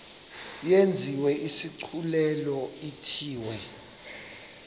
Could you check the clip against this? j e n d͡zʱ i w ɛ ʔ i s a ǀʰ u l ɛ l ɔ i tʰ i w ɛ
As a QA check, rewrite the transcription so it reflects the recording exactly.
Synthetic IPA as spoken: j e n d͡zʱ i w ɛ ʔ i s i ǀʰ u l ɛ l ɔ i tʰ iː w ɛ